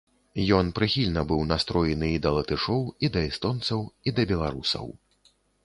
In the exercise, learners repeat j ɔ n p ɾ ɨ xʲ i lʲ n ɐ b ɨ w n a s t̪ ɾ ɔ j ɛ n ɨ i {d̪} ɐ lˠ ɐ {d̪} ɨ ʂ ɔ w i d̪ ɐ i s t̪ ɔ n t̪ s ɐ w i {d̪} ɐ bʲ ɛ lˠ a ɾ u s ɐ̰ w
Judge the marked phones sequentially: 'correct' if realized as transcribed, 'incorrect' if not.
correct, incorrect: t̪, correct

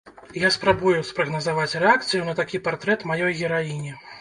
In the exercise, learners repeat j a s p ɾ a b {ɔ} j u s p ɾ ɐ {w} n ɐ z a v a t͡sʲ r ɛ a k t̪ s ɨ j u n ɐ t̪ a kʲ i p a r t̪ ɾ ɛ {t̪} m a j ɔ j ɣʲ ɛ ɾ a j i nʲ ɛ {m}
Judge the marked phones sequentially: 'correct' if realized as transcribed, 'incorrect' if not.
incorrect: u, incorrect: ɣ, correct, incorrect: none

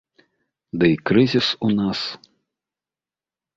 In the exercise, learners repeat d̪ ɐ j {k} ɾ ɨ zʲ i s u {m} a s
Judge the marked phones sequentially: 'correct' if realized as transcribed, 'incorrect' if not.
correct, incorrect: n

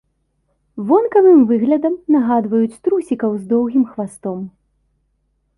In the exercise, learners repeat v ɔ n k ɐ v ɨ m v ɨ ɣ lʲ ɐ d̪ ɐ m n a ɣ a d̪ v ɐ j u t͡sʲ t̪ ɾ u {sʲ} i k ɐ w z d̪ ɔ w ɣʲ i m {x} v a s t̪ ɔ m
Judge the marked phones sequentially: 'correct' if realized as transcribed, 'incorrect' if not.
correct, correct

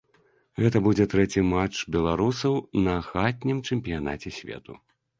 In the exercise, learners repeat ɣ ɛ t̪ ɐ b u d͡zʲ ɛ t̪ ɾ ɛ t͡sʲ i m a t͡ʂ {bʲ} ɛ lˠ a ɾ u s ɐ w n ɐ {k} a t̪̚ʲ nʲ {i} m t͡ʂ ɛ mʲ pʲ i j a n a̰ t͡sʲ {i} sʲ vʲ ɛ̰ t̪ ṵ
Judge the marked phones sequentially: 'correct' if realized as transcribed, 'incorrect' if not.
correct, incorrect: x, correct, incorrect: ɛ

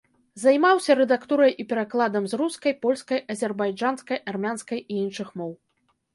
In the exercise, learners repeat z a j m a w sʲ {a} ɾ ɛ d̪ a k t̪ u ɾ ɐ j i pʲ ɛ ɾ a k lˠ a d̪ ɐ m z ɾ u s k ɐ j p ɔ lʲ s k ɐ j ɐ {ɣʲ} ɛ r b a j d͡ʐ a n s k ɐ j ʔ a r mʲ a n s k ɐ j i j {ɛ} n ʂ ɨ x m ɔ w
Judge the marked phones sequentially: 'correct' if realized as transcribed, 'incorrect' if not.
incorrect: ɐ, incorrect: zʲ, incorrect: i

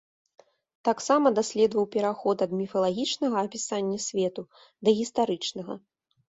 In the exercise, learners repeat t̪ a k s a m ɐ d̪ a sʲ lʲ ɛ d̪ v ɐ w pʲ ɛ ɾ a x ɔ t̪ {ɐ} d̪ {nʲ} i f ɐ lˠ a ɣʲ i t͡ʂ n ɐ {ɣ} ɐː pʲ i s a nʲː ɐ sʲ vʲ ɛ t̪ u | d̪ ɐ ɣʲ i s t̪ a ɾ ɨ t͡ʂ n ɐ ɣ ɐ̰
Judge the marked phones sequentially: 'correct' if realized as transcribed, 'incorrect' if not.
correct, incorrect: mʲ, correct

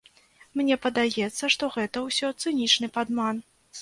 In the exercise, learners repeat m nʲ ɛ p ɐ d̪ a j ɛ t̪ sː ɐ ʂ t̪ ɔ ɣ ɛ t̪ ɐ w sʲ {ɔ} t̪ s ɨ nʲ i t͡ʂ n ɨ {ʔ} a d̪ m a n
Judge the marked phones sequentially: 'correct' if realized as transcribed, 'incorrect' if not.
correct, incorrect: p

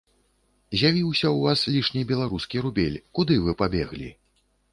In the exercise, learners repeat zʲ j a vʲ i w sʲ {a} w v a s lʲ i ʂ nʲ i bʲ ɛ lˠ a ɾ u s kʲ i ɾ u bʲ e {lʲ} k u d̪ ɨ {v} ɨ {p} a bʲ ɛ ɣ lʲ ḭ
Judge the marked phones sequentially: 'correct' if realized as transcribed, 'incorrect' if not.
incorrect: ɐ, correct, correct, correct

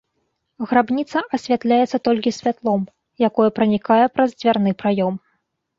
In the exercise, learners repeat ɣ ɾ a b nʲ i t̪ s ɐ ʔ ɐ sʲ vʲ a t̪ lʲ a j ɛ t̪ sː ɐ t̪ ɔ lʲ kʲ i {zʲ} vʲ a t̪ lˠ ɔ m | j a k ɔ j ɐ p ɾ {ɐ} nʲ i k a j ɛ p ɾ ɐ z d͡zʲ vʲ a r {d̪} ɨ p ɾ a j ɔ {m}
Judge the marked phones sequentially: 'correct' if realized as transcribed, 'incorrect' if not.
incorrect: sʲ, correct, incorrect: n̪, correct

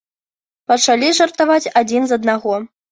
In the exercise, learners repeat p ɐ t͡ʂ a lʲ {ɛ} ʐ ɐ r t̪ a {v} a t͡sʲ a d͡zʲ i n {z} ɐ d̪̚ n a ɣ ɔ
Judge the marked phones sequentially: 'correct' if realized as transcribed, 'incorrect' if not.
incorrect: i, correct, correct

